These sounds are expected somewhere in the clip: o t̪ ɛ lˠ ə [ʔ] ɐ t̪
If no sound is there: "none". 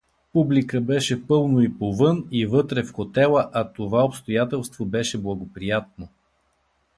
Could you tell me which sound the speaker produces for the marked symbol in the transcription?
ʔ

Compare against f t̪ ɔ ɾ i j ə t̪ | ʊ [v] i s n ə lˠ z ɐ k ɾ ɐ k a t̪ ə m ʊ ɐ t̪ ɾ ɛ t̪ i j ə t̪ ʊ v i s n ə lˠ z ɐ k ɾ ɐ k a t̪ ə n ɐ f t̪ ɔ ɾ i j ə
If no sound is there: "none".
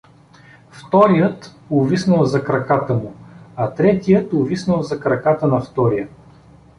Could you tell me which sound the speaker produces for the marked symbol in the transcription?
v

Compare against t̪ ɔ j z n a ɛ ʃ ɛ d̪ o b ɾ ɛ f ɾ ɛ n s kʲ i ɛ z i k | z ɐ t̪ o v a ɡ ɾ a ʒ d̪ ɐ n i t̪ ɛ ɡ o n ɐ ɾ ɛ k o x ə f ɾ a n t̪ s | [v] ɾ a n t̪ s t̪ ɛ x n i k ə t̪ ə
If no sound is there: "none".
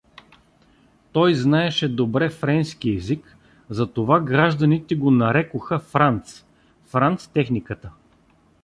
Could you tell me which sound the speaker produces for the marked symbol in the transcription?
f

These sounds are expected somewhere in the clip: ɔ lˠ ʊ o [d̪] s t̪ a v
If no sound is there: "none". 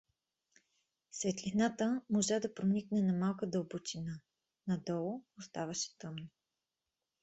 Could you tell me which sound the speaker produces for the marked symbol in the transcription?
none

